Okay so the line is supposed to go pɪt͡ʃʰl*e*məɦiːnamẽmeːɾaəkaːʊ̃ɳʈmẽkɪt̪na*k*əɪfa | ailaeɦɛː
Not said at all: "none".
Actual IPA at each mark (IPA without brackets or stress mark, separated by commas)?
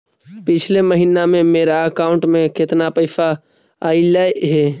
e, p